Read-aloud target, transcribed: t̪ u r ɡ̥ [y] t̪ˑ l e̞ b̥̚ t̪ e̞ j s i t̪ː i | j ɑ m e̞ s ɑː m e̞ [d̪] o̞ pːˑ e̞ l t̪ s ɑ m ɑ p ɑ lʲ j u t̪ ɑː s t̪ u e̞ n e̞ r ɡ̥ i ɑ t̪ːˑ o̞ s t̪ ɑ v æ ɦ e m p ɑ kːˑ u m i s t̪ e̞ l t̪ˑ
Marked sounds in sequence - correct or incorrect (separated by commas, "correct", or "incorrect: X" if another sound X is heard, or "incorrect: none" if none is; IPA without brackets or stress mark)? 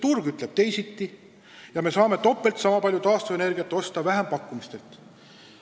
correct, incorrect: t̪